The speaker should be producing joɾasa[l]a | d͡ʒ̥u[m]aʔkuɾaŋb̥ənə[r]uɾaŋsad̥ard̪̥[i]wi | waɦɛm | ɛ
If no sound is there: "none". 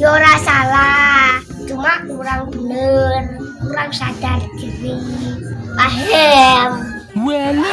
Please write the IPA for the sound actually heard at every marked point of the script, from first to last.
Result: l, m, r, i

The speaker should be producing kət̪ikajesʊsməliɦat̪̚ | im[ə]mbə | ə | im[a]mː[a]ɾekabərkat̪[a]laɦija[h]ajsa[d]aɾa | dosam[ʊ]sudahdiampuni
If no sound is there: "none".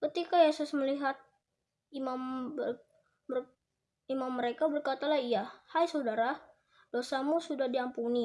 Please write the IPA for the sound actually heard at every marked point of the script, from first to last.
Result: a, a, ə, a, h, d, u

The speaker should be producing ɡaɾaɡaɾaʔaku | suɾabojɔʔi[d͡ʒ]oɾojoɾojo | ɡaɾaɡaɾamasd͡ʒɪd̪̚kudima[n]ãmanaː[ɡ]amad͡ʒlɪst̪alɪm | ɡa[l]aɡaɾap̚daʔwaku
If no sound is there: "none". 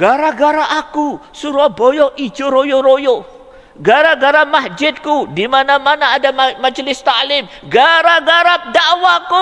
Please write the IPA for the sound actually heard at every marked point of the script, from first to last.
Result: d͡ʒ, n, d, ɾ

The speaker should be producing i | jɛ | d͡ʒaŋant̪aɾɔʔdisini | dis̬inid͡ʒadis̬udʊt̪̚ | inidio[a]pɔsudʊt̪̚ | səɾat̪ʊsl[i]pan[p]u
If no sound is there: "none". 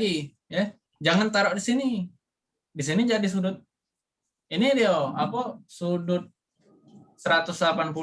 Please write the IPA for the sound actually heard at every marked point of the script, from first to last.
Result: a, a, p

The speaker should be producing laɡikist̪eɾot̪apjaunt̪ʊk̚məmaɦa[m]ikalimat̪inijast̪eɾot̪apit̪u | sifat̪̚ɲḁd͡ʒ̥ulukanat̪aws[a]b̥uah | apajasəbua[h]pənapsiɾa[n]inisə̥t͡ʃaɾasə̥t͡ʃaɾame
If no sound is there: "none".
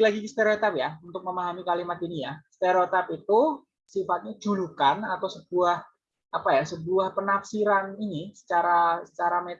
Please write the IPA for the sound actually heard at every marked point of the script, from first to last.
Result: m, ə, h, n

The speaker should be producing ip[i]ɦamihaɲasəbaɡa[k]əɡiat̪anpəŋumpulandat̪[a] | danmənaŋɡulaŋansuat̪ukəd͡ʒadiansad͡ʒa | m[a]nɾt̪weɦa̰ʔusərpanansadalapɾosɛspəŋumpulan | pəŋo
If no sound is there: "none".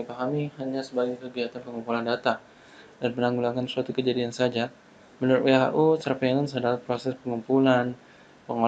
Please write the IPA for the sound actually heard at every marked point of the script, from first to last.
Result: a, k, a, ə

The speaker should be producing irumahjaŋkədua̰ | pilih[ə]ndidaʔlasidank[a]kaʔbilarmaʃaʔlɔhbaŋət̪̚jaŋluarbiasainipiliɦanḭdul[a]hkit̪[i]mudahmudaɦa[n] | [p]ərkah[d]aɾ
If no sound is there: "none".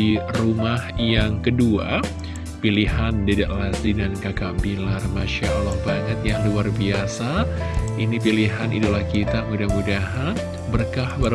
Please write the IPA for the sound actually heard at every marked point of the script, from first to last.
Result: a, a, a, a, n, b, b

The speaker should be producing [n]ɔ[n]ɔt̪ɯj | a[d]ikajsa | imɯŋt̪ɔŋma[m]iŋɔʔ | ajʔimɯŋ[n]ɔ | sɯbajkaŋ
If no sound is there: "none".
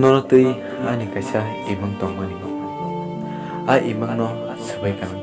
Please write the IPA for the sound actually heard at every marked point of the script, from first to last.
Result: n, n, n, n, n

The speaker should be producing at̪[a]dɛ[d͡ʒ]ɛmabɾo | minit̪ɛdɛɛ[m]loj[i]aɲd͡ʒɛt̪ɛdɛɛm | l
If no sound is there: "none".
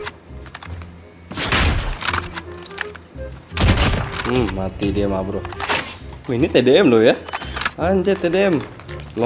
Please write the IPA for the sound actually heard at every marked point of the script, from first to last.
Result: i, none, m, a

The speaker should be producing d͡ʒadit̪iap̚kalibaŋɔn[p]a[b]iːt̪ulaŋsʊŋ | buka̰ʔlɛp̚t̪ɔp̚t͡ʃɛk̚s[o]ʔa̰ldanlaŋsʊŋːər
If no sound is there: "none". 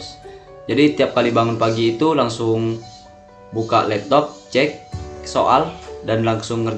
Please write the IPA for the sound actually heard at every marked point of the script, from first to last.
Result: p, ɡ, o

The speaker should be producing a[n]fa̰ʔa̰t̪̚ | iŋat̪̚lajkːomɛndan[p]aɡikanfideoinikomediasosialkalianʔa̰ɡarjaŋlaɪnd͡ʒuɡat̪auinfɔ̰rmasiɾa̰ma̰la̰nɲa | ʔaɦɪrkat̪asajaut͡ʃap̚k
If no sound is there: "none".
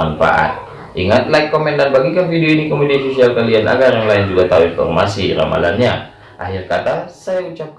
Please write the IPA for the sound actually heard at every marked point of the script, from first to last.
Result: n, b

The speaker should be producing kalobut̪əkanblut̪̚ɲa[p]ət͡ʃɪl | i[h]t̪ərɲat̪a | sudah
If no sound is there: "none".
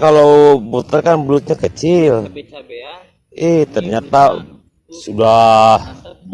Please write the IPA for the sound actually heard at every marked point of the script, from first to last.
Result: k, h

